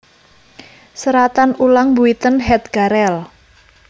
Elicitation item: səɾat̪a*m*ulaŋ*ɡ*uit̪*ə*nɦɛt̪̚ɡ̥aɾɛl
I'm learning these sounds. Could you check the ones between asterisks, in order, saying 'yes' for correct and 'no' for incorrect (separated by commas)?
no, no, yes